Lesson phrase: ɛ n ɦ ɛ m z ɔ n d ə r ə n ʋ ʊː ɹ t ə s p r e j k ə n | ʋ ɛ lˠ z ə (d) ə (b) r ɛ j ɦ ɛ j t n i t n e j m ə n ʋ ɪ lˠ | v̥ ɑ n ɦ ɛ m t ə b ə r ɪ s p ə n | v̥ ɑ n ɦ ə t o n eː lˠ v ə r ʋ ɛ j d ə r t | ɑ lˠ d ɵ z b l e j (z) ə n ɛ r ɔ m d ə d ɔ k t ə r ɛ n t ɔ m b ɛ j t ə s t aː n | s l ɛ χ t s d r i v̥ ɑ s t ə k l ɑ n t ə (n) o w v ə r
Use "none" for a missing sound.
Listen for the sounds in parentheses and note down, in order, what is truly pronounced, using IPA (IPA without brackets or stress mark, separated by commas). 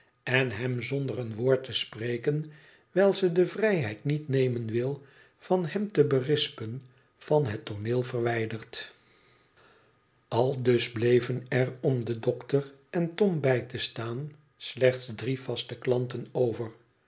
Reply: d, v, v, n